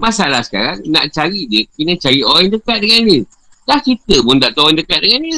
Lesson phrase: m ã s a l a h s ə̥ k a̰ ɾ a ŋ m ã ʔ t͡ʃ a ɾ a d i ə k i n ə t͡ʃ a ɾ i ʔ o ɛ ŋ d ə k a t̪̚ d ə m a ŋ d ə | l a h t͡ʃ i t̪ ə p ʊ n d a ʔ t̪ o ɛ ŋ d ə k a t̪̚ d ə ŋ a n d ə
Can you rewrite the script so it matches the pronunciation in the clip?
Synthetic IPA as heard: m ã s a l a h s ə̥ k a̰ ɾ a ŋ n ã ʔ t͡ʃ a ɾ i d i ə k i n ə t͡ʃ a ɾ i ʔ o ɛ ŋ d ə k a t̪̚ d ə ŋ a n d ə | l a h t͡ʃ i t̪ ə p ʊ n d a ʔ t̪ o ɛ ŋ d ə k a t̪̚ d ə ŋ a n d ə